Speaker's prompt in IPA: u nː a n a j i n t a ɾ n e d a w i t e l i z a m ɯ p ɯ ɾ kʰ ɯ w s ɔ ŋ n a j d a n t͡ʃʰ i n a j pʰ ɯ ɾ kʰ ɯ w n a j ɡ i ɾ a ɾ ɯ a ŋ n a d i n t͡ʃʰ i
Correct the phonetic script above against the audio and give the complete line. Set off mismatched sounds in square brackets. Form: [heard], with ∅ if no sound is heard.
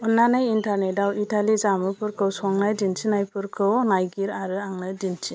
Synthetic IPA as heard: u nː a n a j i n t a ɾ n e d a w i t [a] l i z a m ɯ p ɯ ɾ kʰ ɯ w s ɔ ŋ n a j d [i] n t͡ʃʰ i n a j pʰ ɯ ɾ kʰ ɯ w n a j ɡ i ɾ a ɾ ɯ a ŋ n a d i n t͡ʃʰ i